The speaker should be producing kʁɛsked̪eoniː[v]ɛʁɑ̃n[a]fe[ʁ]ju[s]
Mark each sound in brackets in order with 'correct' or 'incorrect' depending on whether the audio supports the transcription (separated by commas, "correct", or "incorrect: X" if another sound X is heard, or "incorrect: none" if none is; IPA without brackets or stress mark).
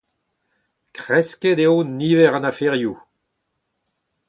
correct, correct, correct, incorrect: none